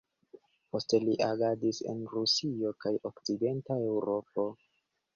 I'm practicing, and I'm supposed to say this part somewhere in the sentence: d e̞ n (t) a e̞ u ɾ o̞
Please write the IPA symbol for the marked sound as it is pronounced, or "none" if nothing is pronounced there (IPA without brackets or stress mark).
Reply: t